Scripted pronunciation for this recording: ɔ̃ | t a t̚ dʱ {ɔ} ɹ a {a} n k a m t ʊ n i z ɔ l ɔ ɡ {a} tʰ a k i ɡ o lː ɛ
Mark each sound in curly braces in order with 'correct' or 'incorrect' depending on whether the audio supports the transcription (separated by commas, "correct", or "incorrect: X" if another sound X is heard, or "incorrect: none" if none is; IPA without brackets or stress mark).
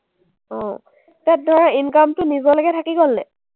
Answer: correct, incorrect: i, incorrect: ɛ